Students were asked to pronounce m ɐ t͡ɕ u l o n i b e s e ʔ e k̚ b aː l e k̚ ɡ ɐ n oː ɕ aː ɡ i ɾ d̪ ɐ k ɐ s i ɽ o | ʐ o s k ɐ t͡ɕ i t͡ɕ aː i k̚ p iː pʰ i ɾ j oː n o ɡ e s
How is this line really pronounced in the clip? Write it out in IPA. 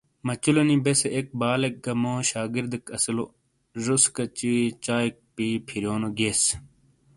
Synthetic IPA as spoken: m ɐ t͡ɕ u l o n i b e s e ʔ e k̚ b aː l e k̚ ɡ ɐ m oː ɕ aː ɡ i ɾ d̪ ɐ k ɐ s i l o | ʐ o s k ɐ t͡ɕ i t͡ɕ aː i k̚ p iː pʰ i ɾ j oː n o ɡ e s